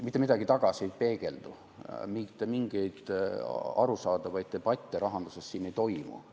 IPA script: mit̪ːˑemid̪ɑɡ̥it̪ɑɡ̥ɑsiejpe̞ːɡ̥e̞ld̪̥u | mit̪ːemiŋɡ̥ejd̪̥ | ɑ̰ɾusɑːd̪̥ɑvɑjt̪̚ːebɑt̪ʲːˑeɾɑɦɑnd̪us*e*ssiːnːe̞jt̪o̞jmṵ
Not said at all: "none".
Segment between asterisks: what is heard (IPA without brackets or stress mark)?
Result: e